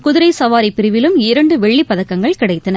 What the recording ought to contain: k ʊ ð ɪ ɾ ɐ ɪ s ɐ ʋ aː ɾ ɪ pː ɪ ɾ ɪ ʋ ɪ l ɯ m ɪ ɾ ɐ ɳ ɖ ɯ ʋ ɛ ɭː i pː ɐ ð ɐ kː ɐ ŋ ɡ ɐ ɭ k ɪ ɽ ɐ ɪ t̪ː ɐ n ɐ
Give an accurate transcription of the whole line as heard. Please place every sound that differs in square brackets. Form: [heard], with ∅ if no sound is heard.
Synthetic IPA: k ʊ ð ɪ ɾ ɐ ɪ s ɐ ʋ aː ɾ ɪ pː ɪ ɾ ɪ ʋ ɪ l ɯ m ɪ ɾ ɐ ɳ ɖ ɯ ʋ ɛ ɭː i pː ɐ ð ɐ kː ɐ ŋ ɡ ɐ ɭ k ɪ ɽ ɐ ɪ t̪ː ɐ n ɐ